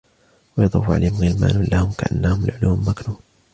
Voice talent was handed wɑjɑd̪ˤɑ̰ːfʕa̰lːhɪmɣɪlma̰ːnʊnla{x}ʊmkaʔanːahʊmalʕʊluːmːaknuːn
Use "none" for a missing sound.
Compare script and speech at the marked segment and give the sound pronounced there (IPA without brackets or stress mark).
h